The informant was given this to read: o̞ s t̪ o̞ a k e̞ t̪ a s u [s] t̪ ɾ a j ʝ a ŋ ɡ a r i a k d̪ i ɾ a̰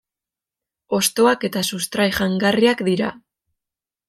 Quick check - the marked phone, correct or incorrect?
correct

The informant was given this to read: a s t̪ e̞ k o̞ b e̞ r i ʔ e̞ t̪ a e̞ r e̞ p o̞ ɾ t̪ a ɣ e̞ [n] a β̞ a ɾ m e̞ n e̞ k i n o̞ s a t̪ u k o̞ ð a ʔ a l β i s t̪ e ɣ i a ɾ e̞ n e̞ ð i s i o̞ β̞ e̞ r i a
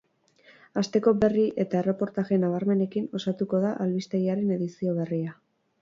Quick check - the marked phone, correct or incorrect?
correct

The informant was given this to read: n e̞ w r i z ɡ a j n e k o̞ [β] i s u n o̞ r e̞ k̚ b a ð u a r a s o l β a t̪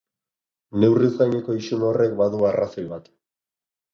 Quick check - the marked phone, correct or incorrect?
incorrect: none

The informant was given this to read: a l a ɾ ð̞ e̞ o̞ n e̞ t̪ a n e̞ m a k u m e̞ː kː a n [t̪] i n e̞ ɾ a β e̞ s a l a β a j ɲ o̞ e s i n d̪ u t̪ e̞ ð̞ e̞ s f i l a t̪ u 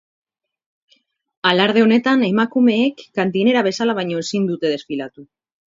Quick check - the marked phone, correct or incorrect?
correct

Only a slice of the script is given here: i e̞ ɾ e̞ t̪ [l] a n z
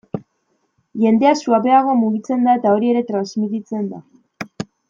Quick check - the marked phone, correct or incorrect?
incorrect: ɾ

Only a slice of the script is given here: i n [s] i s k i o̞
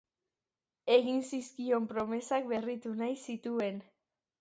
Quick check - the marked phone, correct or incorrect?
correct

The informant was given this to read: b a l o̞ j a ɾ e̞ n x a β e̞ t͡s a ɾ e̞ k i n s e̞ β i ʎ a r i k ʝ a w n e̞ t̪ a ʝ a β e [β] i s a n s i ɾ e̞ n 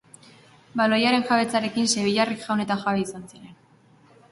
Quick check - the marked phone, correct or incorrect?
incorrect: none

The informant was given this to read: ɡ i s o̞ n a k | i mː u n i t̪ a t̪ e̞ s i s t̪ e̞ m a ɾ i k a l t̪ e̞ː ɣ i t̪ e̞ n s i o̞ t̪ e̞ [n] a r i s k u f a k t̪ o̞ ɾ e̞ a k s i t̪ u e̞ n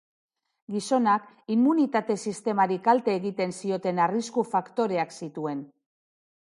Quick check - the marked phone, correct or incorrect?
correct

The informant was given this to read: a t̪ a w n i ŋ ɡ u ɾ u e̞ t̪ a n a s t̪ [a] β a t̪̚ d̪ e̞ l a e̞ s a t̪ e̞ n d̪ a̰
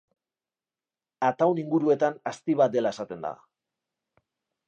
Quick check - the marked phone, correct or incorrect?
incorrect: i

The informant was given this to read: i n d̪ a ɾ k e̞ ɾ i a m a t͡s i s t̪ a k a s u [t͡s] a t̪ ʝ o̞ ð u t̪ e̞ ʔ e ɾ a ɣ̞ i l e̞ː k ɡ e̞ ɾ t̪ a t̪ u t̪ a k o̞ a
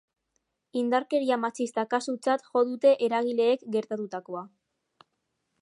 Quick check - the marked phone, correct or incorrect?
correct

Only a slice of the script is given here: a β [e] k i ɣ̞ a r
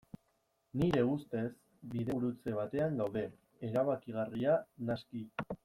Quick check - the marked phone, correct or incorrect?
incorrect: a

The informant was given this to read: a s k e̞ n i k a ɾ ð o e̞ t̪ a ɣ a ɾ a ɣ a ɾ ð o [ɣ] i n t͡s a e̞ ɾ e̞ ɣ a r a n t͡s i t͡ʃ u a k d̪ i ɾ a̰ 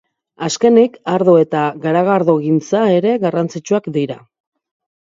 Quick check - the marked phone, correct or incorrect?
correct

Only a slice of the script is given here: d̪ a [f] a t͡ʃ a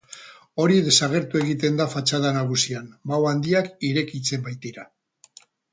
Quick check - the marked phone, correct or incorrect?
correct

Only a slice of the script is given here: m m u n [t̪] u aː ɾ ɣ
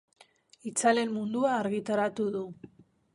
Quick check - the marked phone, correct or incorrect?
incorrect: d̪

